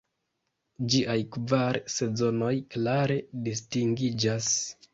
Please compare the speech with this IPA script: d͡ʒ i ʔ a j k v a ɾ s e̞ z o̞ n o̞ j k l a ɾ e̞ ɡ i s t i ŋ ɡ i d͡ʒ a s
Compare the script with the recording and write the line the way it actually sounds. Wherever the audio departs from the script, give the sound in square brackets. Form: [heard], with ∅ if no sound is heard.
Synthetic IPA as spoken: d͡ʒ i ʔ a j k v a ɾ s e̞ z o̞ n o̞ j k l a ɾ e̞ [d] i s t i ŋ ɡ i d͡ʒ a s